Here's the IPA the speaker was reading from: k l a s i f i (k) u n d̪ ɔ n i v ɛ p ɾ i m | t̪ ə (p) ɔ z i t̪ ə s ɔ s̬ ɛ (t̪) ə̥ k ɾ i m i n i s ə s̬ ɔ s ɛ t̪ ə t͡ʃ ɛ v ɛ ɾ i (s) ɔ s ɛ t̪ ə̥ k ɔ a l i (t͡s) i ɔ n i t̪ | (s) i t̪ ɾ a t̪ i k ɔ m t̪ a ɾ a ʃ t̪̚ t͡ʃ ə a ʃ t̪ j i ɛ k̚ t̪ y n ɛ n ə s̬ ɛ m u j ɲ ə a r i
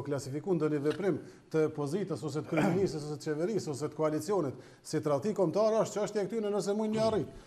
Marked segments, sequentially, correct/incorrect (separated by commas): correct, correct, correct, correct, correct, correct